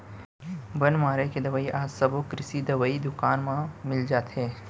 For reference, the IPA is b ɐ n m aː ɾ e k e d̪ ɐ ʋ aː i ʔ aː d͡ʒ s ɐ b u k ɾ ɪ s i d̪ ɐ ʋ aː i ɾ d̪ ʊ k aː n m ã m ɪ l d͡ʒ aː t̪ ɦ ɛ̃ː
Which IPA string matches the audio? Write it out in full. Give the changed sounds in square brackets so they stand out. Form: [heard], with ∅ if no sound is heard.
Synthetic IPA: b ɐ n m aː ɾ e k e d̪ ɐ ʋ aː i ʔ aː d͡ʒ s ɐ b [o] k ɾ ɪ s i d̪ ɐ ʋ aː i [∅] d̪ ʊ k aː n m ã m ɪ l d͡ʒ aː t̪ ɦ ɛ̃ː

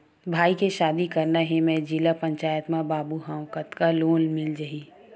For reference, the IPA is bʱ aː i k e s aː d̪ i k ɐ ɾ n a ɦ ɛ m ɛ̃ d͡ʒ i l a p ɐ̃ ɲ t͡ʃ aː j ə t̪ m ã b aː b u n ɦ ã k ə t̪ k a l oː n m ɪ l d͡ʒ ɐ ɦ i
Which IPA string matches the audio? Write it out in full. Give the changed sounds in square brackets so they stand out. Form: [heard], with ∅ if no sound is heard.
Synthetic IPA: bʱ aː i k e [ʃ] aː d̪ i k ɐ ɾ n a ɦ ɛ m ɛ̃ d͡ʒ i l a p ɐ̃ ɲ t͡ʃ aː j ə t̪ m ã b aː b u [∅] ɦ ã k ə t̪ k a l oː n m ɪ l d͡ʒ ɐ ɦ i

